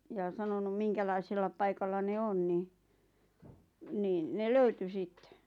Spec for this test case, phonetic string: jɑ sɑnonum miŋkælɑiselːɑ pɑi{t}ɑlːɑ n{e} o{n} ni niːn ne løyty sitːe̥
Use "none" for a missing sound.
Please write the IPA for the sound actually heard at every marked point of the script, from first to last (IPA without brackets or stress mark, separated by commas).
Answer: k, e, n